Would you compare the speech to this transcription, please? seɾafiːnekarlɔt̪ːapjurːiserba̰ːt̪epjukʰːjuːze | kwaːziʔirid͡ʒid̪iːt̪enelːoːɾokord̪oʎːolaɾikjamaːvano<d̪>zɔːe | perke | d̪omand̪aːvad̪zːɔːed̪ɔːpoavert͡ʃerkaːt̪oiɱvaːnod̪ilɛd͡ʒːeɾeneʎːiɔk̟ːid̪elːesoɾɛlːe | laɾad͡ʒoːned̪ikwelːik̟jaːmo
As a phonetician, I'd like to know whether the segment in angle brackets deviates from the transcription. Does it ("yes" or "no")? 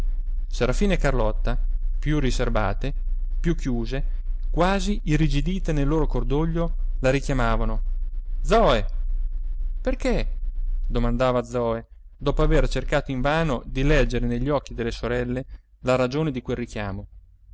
no